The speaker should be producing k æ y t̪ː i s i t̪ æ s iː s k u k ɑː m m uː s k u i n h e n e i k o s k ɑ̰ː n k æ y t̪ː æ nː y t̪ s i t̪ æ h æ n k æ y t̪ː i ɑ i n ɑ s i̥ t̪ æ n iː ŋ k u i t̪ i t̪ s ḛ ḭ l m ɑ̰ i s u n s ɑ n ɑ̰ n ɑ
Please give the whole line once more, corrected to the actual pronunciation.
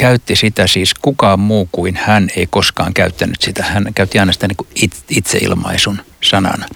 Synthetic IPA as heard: k æ y t̪ː i s i t̪ æ s iː s k u k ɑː m m uː k u i n h æ n e i k o s k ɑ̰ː ŋ k æ y t̪ː æ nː y t̪ s i t̪ æ h æ n k æ y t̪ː i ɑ i n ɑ s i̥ t̪ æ n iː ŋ k u i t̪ i t̪ s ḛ ḭ l m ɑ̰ i s u n s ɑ n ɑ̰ n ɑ